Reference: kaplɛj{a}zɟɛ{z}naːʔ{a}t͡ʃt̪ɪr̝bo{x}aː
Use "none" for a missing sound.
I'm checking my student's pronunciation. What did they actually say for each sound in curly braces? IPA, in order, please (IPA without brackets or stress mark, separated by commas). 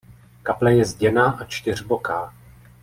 ɛ, none, a, k